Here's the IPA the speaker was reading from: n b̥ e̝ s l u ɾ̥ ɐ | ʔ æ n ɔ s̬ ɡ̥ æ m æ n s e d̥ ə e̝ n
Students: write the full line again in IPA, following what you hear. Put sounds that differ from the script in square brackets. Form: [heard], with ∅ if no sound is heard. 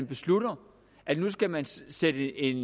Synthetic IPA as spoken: n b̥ e̝ s l u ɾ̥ ɐ | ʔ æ n [u] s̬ ɡ̥ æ m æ n s e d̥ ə e̝ n